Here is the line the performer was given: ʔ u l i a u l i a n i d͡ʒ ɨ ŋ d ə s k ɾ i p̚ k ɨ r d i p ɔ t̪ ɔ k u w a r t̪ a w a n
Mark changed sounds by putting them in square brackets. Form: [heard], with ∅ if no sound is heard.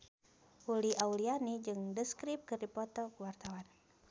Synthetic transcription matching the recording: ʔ u l i a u l i a n i d͡ʒ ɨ ŋ d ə s k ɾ i p̚ k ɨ r d i p ɔ t̪ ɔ k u w a r t̪ a w a n